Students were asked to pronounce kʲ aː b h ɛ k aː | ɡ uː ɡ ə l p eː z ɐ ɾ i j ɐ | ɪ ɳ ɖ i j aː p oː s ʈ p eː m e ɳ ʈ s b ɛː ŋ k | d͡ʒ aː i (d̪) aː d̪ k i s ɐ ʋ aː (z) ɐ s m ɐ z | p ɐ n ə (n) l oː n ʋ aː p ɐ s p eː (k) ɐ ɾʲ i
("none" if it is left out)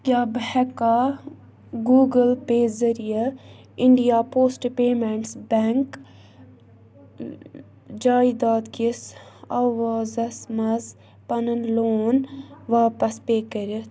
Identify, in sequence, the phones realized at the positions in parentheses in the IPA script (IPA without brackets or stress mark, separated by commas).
d̪, z, n, k